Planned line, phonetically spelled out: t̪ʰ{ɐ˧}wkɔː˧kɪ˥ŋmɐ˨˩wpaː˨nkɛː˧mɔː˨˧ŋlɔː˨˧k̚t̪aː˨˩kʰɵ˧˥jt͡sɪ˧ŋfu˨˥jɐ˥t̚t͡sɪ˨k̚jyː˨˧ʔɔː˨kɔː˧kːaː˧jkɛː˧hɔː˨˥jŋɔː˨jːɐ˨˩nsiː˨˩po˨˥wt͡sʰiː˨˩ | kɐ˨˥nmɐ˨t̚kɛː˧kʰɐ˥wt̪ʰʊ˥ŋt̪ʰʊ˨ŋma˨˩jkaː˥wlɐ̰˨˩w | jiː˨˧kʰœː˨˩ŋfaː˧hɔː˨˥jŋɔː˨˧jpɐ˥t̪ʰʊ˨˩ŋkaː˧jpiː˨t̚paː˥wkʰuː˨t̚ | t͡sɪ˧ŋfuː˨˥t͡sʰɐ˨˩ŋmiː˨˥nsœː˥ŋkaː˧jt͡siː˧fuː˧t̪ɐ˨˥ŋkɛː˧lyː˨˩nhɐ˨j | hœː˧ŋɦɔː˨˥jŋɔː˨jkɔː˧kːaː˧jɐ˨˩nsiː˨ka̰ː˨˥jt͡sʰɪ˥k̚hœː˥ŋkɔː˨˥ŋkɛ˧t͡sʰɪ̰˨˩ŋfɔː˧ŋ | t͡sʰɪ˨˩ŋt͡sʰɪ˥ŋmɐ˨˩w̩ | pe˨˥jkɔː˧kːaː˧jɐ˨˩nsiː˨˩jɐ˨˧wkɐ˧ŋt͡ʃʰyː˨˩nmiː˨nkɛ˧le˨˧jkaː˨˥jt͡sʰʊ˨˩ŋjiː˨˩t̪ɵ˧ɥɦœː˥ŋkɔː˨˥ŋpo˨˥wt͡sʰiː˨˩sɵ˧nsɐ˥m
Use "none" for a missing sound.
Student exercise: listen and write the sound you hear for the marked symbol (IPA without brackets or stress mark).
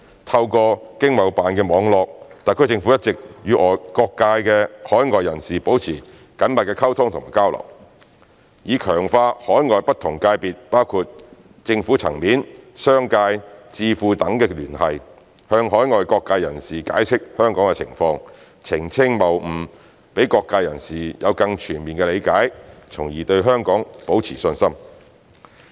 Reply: ɐ˧